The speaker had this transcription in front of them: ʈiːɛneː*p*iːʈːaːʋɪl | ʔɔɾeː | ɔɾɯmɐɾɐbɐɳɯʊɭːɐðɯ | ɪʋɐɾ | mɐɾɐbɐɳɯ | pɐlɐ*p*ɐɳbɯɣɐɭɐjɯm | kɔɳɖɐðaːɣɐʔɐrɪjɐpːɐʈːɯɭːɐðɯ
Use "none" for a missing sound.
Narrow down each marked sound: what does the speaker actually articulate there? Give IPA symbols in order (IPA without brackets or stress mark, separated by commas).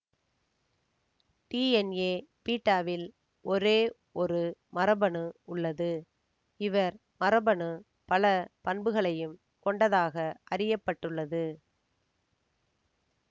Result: p, p